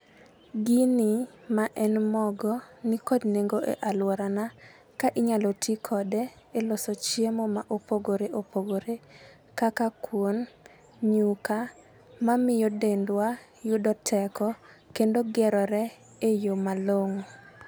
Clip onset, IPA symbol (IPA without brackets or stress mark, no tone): ɡ